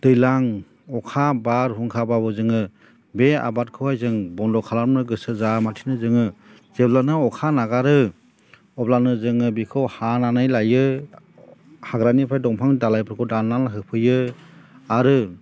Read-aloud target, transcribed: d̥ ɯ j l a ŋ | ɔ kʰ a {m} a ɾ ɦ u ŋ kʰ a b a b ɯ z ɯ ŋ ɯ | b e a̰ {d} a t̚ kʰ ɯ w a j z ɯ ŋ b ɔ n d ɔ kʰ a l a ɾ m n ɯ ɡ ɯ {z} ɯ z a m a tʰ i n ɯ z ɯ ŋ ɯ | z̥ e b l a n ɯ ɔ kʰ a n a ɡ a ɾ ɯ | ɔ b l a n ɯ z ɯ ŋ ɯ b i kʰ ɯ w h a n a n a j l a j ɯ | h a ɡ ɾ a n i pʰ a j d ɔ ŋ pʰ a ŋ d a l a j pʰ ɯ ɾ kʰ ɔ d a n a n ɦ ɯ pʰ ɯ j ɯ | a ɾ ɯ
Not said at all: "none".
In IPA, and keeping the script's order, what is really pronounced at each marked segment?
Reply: b, b, s

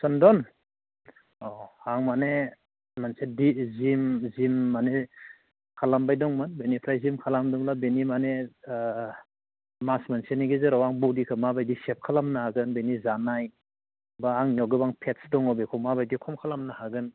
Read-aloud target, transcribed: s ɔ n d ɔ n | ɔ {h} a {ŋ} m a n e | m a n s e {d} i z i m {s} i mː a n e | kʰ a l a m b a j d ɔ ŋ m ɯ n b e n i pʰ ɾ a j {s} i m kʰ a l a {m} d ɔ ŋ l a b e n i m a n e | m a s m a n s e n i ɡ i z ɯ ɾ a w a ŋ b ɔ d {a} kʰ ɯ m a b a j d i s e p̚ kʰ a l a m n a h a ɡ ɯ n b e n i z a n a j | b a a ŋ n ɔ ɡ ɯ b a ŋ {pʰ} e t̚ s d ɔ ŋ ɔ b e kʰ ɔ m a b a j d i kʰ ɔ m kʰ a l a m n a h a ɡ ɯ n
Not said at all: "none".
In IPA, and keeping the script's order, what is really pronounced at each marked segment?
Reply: h, ŋ, d, z, z, m, i, pʰ

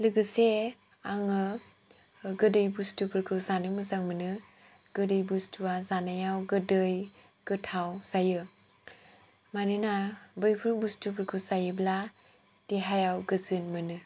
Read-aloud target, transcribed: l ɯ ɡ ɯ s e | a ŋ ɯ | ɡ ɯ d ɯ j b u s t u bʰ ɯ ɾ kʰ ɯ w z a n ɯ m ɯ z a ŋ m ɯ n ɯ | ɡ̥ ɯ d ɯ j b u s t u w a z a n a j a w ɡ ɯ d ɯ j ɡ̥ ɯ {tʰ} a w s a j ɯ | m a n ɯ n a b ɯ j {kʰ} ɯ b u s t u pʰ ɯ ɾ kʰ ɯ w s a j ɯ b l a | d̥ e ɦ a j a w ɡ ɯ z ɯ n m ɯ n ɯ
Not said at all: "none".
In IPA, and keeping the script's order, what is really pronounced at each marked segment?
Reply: tʰ, pʰ

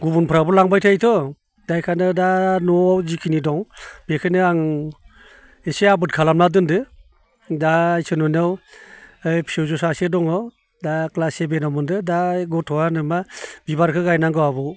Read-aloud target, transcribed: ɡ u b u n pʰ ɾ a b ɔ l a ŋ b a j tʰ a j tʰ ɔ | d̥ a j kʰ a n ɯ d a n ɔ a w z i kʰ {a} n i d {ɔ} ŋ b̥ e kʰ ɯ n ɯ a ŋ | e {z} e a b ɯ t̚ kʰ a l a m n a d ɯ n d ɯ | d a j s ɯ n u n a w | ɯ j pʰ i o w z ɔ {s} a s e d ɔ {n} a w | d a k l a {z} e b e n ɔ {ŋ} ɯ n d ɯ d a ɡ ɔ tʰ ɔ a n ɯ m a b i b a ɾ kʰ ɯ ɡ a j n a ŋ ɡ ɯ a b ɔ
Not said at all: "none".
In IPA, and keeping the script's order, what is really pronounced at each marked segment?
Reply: i, ɔ, s, s, ŋ, s, m

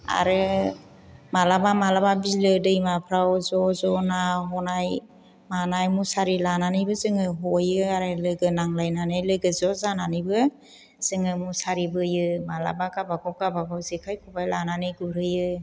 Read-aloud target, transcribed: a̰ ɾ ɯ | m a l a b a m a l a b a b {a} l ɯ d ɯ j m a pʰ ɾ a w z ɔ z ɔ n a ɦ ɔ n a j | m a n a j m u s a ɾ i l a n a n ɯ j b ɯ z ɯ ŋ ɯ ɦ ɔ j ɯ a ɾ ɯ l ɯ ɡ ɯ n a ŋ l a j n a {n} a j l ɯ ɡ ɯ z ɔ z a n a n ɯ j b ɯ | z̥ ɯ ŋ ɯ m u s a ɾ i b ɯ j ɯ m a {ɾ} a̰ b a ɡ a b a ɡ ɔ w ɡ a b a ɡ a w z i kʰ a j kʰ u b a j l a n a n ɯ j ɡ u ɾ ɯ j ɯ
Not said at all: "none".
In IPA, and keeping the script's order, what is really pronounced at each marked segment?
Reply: i, n, l

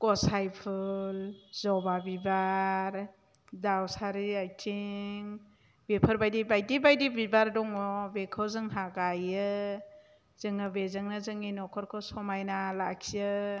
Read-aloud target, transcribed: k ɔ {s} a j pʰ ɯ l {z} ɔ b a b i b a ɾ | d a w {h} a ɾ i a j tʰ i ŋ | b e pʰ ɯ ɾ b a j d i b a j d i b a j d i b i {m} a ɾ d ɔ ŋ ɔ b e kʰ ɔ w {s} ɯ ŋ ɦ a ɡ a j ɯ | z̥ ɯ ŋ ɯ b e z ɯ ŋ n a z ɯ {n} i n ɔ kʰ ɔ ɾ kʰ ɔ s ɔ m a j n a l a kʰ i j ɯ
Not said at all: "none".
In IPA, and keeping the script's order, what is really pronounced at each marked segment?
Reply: s, z, s, b, z, ŋ

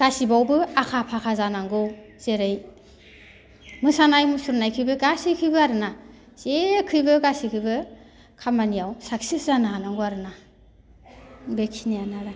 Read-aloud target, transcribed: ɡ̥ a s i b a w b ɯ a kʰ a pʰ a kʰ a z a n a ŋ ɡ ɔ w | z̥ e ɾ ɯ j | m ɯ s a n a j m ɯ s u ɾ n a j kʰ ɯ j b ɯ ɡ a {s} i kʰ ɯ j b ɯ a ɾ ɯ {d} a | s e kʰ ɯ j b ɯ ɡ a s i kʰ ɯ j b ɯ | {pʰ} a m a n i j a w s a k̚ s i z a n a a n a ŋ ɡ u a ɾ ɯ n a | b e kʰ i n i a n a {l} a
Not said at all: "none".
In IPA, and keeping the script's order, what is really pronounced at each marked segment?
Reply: s, n, kʰ, ɾ

